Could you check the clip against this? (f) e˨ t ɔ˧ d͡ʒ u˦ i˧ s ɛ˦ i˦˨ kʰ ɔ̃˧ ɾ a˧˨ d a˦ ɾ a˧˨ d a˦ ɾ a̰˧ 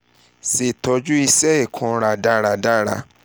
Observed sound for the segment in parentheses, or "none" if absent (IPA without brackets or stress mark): s